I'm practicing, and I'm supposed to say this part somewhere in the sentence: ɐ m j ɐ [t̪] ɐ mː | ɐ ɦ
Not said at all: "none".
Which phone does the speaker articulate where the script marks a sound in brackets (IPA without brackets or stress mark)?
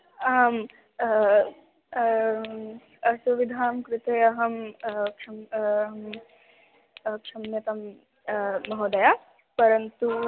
t̪